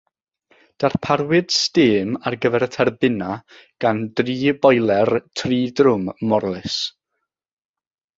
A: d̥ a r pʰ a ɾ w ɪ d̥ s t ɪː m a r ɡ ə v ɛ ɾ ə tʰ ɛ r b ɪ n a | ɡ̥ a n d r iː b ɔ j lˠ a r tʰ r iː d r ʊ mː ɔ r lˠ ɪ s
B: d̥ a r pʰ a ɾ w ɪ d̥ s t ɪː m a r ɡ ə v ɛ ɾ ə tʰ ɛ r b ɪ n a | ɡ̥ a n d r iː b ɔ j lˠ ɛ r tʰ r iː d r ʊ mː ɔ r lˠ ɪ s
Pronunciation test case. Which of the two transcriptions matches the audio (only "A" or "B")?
B